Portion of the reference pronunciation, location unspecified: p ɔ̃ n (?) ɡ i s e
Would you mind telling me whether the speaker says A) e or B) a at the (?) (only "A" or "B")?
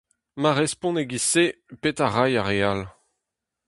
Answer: A